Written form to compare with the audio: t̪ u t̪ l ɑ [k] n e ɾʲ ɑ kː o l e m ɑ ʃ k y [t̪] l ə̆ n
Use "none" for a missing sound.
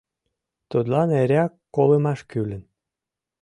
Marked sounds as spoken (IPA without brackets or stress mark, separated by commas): none, none